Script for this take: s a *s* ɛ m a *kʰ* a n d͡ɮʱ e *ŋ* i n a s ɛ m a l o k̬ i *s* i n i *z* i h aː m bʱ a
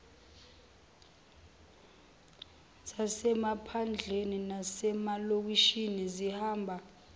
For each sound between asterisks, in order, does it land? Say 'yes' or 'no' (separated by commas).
yes, no, no, no, yes